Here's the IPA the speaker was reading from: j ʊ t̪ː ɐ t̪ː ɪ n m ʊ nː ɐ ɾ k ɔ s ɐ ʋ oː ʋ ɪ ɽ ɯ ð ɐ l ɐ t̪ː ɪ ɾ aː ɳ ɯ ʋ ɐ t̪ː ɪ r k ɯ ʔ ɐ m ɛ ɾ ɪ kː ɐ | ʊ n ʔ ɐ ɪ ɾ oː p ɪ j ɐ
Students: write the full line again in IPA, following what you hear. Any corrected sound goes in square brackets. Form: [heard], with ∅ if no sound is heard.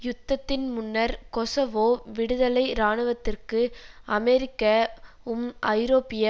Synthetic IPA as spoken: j ʊ t̪ː ɐ t̪ː ɪ n m ʊ nː ɐ ɾ k ɔ s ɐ ʋ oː ʋ ɪ ɽ ɯ ð ɐ l ɐ [∅] ɪ ɾ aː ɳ ɯ ʋ ɐ t̪ː ɪ r k ɯ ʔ ɐ m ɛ ɾ ɪ kː ɐ | ʊ [m] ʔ ɐ ɪ ɾ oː p ɪ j ɐ

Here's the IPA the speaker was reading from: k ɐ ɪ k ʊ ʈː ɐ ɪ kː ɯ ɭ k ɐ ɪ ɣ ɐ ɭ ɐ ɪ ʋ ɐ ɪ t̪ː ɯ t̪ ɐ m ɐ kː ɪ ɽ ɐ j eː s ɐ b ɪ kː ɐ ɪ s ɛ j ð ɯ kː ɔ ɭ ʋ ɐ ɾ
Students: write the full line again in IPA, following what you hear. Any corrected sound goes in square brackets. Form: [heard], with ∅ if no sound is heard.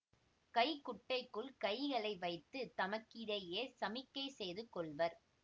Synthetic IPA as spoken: k ɐ ɪ k ʊ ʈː ɐ ɪ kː ɯ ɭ k ɐ ɪ ɣ ɐ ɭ ɐ ɪ ʋ ɐ ɪ t̪ː ɯ t̪ ɐ m ɐ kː ɪ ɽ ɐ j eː s ɐ [m] ɪ kː ɐ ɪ s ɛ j ð ɯ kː ɔ ɭ ʋ ɐ ɾ

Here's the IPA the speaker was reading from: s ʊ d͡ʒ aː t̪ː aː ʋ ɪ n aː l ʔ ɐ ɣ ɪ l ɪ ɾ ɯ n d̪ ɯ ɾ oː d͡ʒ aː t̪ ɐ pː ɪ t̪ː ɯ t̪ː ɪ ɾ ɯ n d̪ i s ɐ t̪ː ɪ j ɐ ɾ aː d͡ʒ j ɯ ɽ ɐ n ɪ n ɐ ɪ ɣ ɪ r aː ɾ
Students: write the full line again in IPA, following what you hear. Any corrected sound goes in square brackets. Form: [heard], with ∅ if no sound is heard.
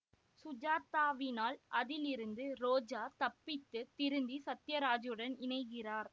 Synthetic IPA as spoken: s ʊ d͡ʒ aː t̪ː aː ʋ ɪ n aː l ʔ ɐ [ð] ɪ l ɪ ɾ ɯ n d̪ ɯ ɾ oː d͡ʒ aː t̪ ɐ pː ɪ t̪ː ɯ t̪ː ɪ ɾ ɯ n d̪ i s ɐ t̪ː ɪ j ɐ ɾ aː d͡ʒ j ɯ ɽ ɐ n ɪ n ɐ ɪ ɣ ɪ r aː ɾ

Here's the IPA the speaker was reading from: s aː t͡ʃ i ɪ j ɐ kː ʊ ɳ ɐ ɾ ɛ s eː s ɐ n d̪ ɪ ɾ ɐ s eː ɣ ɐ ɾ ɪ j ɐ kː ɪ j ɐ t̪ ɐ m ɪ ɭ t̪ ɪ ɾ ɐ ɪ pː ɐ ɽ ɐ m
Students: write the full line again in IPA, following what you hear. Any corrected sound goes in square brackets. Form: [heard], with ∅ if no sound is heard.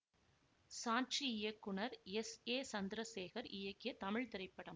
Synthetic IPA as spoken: s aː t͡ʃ i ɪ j ɐ kː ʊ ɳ ɐ ɾ ɛ s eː s ɐ n d̪ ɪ ɾ ɐ s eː ɣ ɐ ɾ ɪ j ɐ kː ɪ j ɐ t̪ ɐ m ɪ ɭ t̪ ɪ ɾ ɐ ɪ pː ɐ ɽ ɐ m

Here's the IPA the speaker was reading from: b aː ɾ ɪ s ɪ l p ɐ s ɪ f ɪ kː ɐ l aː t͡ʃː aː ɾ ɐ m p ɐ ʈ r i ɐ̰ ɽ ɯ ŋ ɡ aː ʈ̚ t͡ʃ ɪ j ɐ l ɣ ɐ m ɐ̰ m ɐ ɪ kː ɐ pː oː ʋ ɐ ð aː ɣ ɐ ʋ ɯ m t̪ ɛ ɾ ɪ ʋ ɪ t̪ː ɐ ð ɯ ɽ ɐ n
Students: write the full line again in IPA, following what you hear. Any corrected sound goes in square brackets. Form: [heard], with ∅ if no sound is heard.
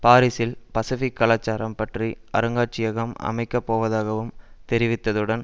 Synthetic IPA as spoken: [p] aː ɾ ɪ s ɪ l p ɐ s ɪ f ɪ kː ɐ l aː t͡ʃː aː ɾ ɐ m p ɐ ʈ r i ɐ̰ [ɾ] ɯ ŋ ɡ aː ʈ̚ t͡ʃ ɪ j ɐ [∅] ɣ ɐ m ɐ̰ m ɐ ɪ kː ɐ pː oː ʋ ɐ ð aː ɣ ɐ ʋ ɯ m t̪ ɛ ɾ ɪ ʋ ɪ t̪ː ɐ ð ɯ ɽ ɐ n

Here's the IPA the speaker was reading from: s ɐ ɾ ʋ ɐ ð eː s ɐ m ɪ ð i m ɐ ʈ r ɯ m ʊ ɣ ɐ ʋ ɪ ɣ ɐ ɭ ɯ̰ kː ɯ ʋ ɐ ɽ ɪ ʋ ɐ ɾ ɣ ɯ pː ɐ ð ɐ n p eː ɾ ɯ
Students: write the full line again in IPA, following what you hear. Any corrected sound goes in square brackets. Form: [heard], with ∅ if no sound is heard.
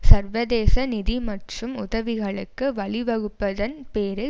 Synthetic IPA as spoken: s ɐ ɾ ʋ ɐ ð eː s ɐ [n] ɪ ð i m ɐ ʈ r ɯ m ʊ [ð] ɐ ʋ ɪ ɣ ɐ ɭ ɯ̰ kː ɯ ʋ ɐ [ɭ] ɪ ʋ ɐ [∅] ɣ ɯ pː ɐ ð ɐ n p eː ɾ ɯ

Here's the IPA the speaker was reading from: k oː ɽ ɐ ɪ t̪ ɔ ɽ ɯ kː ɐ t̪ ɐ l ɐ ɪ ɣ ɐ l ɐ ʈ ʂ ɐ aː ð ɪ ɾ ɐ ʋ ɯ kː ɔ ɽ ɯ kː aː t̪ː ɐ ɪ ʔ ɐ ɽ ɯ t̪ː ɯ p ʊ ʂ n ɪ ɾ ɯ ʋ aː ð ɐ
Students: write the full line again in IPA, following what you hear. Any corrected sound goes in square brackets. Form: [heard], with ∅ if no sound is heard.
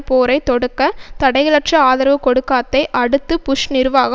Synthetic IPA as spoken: [p] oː [ɾ] ɐ ɪ t̪ ɔ ɽ ɯ kː ɐ t̪ ɐ [ɽ] ɐ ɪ ɣ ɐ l ɐ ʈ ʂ ɐ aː ð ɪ ɾ ɐ ʋ ɯ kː ɔ ɽ ɯ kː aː t̪ː ɐ ɪ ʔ ɐ ɽ ɯ t̪ː ɯ p ʊ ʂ n ɪ ɾ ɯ ʋ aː [ɣ] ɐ

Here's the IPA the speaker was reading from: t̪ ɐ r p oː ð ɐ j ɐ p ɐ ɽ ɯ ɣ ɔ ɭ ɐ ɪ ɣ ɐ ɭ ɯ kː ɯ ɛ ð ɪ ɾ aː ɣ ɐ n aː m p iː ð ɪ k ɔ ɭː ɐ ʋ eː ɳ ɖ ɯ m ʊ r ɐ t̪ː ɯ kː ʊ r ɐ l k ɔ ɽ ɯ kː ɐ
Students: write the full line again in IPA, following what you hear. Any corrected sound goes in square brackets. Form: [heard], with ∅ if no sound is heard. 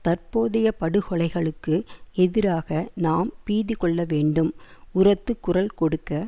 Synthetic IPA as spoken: t̪ ɐ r p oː ð ɐ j ɐ p ɐ ɽ ɯ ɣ ɔ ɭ ɐ ɪ ɣ ɐ ɭ ɯ kː ɯ ɛ ð ɪ ɾ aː ɣ ɐ n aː m p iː ð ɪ k ɔ ɭː ɐ ʋ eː ɳ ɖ ɯ m ʊ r ɐ t̪ː ɯ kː ʊ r ɐ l k ɔ ɽ ɯ kː ɐ

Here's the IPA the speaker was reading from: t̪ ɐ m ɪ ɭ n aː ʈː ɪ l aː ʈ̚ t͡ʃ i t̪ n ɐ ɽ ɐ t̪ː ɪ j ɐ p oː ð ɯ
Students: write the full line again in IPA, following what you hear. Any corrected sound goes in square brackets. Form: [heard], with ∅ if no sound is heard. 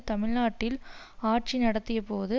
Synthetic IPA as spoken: t̪ ɐ m ɪ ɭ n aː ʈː ɪ l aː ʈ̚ t͡ʃ i [∅] n ɐ ɽ ɐ t̪ː ɪ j ɐ p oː ð ɯ

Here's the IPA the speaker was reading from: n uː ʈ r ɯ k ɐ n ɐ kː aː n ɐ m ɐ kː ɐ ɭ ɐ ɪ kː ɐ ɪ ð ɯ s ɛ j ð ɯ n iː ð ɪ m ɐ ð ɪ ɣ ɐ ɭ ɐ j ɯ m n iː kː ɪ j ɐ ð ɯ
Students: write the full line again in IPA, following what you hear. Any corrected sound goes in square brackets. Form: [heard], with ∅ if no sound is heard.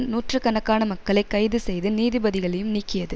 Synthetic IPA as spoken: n uː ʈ r ɯ k ɐ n ɐ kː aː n ɐ m ɐ kː ɐ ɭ ɐ ɪ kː ɐ ɪ ð ɯ s ɛ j ð ɯ n iː ð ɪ [b] ɐ ð ɪ ɣ ɐ ɭ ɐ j ɯ m n iː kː ɪ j ɐ ð ɯ

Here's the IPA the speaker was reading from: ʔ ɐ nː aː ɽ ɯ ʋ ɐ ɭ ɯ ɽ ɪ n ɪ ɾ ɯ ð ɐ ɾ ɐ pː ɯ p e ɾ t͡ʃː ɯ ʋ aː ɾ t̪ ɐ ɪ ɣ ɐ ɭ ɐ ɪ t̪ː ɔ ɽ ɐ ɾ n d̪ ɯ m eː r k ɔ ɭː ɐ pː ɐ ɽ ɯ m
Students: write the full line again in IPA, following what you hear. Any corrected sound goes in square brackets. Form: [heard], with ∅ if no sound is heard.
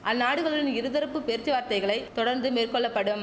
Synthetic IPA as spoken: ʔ ɐ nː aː ɽ ɯ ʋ ɐ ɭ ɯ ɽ ɪ n ɪ ɾ ɯ ð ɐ ɾ ɐ pː ɯ p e ɾ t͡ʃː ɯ ʋ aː ɾ t̪ ɐ ɪ ɣ ɐ ɭ ɐ ɪ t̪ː ɔ ɽ ɐ ɾ n d̪ ɯ m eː r k ɔ ɭː ɐ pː ɐ ɽ ɯ m

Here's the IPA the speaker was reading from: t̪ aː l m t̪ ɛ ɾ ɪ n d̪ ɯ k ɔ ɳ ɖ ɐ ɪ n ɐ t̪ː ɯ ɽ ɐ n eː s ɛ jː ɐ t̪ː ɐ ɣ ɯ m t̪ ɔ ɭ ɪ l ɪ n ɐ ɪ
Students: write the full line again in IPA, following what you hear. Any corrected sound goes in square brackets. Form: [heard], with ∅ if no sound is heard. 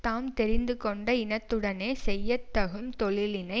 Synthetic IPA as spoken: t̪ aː [∅] m t̪ ɛ ɾ ɪ n d̪ ɯ k ɔ ɳ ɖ ɐ ɪ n ɐ t̪ː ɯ ɽ ɐ n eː s ɛ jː ɐ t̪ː ɐ ɣ ɯ m t̪ ɔ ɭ ɪ l ɪ n ɐ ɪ

